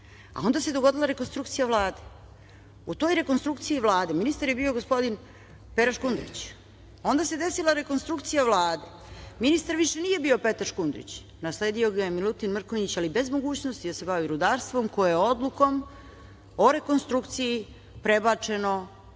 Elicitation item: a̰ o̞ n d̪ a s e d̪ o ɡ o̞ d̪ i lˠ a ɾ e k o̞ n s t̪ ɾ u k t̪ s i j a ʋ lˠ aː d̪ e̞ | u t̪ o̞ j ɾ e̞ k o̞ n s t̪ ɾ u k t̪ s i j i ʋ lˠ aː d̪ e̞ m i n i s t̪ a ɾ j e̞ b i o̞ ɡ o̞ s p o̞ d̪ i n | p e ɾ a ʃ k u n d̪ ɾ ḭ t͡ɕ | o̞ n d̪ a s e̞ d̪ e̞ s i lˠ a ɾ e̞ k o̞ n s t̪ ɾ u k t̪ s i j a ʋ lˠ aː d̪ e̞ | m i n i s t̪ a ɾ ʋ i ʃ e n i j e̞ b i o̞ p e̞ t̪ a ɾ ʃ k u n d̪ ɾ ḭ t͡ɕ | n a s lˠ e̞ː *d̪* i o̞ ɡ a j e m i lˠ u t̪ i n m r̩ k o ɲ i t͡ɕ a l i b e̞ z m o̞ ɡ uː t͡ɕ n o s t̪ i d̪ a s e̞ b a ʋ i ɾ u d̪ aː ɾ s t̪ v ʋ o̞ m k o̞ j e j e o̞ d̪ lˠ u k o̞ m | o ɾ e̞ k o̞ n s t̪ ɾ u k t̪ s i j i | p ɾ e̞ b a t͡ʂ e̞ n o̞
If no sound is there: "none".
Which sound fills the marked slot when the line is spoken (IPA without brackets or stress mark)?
d̪